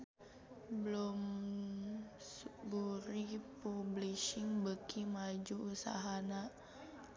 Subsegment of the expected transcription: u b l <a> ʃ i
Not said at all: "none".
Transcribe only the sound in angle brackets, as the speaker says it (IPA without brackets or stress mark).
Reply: i